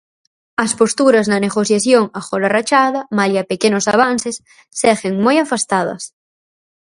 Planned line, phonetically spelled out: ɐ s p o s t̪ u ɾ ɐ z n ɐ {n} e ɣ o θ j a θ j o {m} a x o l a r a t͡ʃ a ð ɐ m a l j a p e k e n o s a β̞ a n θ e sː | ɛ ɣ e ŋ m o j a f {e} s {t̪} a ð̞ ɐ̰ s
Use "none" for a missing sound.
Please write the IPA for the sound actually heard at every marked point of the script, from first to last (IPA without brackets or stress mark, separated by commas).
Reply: n, ŋ, a, t̪